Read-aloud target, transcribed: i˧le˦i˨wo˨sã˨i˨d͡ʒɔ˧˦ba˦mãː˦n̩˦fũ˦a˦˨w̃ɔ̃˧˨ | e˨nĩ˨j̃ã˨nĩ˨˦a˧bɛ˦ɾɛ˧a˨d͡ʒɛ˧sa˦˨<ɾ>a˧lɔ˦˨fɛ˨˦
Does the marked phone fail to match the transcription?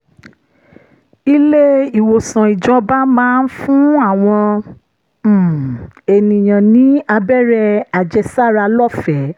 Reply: no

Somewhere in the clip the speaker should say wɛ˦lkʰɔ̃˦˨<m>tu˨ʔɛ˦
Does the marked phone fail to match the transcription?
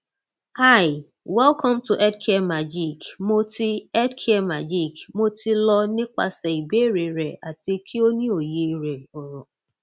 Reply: no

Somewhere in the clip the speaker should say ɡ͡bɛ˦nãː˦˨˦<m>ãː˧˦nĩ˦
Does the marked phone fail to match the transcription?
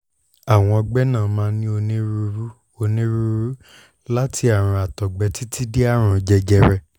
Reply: no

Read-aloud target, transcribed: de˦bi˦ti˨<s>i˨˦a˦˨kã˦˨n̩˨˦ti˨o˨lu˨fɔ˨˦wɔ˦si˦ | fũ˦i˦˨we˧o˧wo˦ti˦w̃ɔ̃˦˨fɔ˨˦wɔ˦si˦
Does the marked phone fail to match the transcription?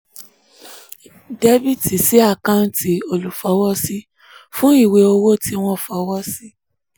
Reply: no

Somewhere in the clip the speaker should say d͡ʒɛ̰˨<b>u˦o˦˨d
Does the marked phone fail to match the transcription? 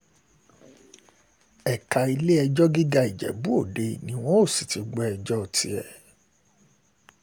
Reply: no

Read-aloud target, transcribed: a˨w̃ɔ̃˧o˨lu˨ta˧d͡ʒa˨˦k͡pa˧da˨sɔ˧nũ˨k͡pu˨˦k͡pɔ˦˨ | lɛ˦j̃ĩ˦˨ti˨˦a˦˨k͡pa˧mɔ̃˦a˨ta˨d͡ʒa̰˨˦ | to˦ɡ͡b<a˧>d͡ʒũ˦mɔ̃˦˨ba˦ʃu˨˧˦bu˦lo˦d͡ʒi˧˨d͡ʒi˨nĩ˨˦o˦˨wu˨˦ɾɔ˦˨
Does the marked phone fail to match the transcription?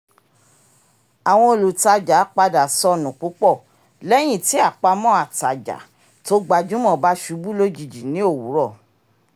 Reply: no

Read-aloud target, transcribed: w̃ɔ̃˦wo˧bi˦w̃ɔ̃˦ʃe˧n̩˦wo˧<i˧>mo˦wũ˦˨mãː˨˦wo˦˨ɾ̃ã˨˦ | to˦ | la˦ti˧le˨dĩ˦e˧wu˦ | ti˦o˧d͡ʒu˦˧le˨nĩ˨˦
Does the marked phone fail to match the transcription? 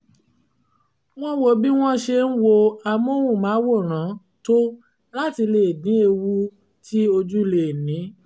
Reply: yes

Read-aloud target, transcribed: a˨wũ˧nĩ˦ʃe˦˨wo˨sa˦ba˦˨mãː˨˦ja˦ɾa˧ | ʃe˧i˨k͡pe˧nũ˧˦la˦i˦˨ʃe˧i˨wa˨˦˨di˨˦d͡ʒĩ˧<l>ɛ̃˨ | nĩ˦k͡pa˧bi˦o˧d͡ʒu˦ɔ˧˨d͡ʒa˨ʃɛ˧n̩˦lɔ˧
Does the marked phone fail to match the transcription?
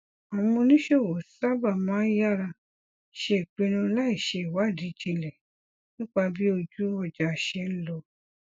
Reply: no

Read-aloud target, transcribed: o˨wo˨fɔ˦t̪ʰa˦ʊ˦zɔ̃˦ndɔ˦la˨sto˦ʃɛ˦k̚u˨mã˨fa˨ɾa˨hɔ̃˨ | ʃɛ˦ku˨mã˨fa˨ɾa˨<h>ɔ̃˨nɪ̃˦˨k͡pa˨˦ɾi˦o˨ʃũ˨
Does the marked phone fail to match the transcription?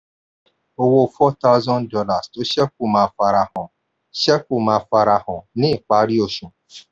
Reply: no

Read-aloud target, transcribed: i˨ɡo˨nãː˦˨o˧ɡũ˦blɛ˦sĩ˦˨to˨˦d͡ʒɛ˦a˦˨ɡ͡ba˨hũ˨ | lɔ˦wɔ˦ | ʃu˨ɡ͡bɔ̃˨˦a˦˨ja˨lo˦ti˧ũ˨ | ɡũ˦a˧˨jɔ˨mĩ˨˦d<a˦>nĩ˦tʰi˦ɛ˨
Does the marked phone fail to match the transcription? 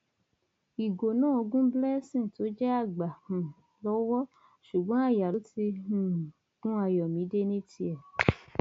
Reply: yes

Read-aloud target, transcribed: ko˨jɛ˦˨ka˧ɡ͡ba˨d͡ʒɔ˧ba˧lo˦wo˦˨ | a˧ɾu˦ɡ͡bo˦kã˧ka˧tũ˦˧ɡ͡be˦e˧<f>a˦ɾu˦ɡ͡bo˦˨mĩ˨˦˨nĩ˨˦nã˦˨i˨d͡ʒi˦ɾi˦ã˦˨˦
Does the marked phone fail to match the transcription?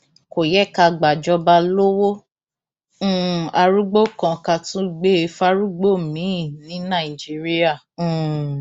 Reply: no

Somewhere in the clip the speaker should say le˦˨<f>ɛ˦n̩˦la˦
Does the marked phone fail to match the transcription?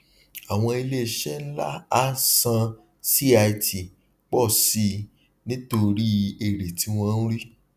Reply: yes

